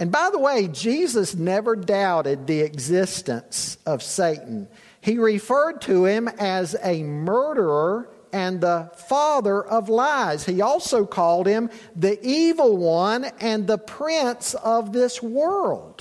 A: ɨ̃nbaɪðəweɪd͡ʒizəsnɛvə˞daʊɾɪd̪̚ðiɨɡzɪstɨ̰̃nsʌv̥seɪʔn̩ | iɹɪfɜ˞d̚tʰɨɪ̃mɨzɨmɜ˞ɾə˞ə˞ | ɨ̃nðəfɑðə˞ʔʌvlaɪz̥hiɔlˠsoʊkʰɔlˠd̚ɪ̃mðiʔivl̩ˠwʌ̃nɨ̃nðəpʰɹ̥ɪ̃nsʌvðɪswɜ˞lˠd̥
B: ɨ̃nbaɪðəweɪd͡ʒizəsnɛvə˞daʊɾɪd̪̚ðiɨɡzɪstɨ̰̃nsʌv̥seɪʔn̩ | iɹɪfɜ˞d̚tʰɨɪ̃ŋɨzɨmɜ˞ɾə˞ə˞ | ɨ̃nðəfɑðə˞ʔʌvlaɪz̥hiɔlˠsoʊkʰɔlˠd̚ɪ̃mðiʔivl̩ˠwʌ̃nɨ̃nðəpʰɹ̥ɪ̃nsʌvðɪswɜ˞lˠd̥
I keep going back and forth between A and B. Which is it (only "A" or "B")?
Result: A